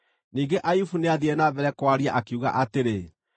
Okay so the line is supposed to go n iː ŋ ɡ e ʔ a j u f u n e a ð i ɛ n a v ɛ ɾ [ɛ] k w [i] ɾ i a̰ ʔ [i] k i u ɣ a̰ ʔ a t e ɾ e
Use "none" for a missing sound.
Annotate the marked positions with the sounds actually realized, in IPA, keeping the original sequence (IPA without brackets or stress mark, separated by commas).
ɛ, a, a